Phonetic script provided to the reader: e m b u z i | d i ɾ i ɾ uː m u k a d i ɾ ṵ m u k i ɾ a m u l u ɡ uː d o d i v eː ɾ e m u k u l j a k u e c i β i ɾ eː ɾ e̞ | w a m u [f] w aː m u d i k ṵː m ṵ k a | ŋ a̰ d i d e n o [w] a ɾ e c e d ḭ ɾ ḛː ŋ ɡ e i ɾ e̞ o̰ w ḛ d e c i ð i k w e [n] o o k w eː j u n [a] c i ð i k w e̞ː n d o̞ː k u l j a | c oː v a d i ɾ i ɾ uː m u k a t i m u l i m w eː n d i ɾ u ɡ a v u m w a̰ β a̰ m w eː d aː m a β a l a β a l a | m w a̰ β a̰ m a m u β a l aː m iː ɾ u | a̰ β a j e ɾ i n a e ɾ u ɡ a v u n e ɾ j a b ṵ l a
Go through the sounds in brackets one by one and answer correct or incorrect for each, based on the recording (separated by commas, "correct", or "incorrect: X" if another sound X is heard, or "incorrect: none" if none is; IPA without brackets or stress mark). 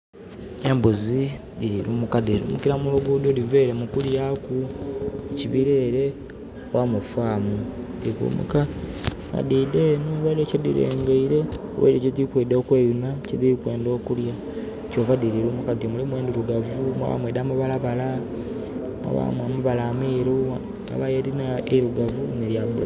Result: correct, incorrect: β, incorrect: d, correct